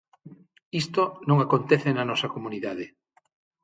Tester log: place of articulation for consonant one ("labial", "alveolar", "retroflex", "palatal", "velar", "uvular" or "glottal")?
alveolar